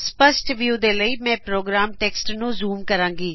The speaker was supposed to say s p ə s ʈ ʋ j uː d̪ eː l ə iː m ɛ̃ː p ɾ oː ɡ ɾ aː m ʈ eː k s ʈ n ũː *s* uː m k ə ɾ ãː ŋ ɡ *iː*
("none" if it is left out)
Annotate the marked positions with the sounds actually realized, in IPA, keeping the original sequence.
z, iː

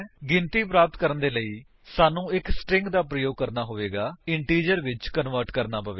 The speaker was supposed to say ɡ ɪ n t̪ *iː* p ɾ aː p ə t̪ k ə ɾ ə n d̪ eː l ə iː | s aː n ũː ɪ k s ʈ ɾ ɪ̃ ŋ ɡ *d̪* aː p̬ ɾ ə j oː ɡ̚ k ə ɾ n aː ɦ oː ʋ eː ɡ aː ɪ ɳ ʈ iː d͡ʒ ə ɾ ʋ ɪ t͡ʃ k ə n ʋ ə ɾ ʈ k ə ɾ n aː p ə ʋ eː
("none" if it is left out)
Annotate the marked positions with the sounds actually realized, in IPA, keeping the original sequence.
iː, d̪

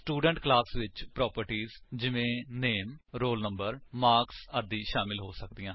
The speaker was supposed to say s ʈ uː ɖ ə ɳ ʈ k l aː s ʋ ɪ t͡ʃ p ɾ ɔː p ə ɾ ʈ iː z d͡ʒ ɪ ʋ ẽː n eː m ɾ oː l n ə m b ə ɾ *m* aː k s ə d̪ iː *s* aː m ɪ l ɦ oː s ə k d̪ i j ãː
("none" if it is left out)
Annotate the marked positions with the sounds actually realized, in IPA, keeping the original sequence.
m, ʃ

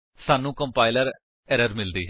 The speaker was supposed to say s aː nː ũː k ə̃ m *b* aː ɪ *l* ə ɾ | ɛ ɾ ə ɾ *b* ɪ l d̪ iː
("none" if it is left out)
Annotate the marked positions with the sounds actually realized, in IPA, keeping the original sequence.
p, l, m

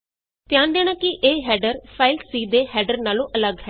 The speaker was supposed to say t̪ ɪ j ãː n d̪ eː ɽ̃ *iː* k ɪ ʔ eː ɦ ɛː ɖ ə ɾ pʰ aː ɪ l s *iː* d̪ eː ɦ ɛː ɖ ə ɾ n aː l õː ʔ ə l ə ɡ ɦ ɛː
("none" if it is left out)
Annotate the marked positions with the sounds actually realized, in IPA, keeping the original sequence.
aː, iː

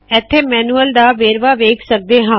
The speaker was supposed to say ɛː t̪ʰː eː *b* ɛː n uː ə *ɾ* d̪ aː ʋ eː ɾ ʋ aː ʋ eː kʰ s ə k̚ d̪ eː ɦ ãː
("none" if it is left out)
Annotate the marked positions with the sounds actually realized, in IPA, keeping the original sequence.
m, l

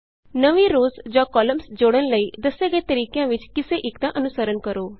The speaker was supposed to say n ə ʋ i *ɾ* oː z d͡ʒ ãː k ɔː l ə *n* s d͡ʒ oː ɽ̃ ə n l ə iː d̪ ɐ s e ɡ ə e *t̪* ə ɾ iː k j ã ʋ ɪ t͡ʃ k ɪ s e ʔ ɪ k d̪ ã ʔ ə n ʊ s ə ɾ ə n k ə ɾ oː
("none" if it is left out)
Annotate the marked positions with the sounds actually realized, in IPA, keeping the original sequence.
ɾ, m, t̪

